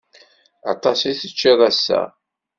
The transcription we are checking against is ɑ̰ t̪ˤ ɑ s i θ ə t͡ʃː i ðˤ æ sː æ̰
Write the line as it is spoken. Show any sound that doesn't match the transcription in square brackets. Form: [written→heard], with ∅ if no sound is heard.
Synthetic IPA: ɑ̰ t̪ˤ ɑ s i θ ə t͡ʃː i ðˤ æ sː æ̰